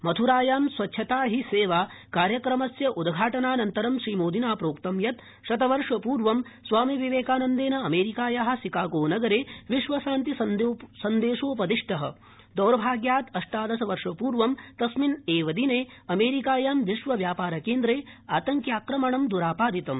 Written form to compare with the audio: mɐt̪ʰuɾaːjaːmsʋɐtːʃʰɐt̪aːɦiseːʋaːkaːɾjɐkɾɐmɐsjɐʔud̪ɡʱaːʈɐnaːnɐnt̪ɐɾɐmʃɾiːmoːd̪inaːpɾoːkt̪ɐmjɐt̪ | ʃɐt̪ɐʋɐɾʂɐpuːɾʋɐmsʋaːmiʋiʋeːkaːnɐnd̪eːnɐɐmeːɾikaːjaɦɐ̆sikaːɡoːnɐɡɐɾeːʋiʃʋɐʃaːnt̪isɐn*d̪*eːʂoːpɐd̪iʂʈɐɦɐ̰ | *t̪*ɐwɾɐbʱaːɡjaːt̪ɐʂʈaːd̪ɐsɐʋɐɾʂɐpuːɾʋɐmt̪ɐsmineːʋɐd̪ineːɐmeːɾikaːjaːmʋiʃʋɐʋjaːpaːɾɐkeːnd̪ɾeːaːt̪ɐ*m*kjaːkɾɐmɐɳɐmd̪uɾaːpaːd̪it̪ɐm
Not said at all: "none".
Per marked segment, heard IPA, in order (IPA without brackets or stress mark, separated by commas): d̪, d̪, ŋ